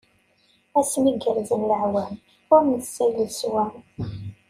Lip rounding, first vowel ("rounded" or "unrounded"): unrounded